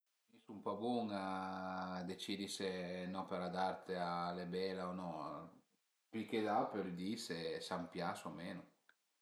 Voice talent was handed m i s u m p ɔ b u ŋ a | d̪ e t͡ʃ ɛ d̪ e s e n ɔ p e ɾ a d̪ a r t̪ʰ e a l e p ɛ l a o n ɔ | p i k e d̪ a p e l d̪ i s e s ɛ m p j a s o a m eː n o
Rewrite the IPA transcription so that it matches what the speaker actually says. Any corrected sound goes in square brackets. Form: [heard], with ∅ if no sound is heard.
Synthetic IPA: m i s u m p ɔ b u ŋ a | d̪ e t͡ʃ [i] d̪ [i] s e n ɔ p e ɾ a d̪ a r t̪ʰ e a l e [b] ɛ l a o n ɔ | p i k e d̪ a p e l d̪ i s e s [a] m p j a s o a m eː n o